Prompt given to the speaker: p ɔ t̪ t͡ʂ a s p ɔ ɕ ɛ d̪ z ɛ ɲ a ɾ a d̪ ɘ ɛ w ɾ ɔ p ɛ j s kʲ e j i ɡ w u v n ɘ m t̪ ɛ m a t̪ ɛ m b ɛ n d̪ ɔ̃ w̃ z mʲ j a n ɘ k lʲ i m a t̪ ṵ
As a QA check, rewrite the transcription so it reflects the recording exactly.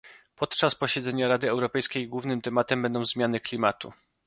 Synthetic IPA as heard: p ɔ t̪ t͡ʂ a s p ɔ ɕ ɛ d̪ z ɛ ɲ a ɾ a d̪ ɘ ɛ w ɾ ɔ p ɛ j s kʲ e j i ɡ w u v n ɘ m t̪ ɛ m a t̪ ɛ m b ɛ n d̪ ɔ̃ w̃ z mʲ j a n ɘ k lʲ i m a t̪ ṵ